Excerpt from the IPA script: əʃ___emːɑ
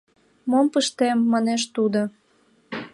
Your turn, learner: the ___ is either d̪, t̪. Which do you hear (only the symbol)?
t̪